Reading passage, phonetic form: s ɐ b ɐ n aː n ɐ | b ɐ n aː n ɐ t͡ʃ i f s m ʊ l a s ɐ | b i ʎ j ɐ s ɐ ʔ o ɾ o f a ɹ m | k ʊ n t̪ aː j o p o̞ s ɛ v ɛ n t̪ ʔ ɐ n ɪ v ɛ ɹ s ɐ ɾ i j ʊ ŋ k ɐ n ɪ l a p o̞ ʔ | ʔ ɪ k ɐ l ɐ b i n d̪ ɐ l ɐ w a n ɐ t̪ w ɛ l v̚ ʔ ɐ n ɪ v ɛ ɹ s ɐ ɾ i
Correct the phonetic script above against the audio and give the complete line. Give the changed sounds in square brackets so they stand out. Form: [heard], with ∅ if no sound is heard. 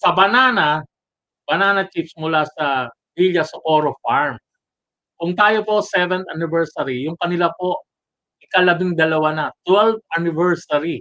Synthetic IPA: s ɐ b ɐ n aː n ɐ | b ɐ n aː n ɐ t͡ʃ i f s m ʊ l a s ɐ | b i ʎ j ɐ s ɐ ʔ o ɾ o f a ɹ m | k ʊ [ŋ] t̪ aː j o p o̞ s ɛ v ɛ n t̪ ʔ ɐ n ɪ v ɛ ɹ s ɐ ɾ i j ʊ ŋ k ɐ n ɪ l a p o̞ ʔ | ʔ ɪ k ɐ l ɐ b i [ŋ] d̪ ɐ l ɐ w a n ɐ t̪ w ɛ l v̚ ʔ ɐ n ɪ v ɛ ɹ s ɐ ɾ i